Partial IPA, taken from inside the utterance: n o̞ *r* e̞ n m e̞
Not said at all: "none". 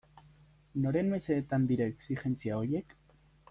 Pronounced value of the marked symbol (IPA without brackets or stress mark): ɾ